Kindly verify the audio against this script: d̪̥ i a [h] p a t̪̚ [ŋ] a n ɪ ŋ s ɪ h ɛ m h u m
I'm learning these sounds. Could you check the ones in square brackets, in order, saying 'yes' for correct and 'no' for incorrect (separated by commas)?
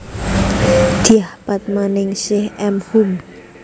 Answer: yes, no